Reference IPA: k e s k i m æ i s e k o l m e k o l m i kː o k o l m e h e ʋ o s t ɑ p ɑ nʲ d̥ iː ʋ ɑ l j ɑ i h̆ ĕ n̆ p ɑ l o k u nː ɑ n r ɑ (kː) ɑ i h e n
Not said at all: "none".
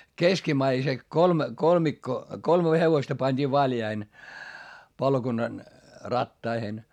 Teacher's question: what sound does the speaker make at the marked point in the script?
tː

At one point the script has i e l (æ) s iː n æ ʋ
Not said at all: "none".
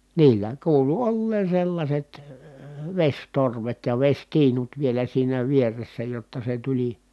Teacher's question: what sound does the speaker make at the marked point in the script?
æ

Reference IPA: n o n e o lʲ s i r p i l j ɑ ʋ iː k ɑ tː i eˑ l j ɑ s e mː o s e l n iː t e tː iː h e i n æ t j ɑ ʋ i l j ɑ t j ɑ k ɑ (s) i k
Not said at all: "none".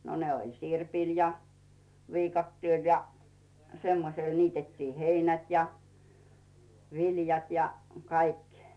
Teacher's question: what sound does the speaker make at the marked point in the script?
none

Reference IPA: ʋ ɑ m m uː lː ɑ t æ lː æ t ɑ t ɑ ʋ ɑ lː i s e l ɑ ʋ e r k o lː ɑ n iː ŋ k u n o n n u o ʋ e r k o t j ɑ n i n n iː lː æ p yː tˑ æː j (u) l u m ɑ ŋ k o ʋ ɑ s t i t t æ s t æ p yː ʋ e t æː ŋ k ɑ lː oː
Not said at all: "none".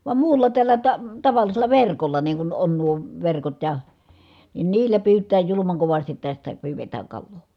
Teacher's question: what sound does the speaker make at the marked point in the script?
u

